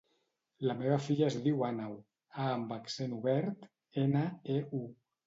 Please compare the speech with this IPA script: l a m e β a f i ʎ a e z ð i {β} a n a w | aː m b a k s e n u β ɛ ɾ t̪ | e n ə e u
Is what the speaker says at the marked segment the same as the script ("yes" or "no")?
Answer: no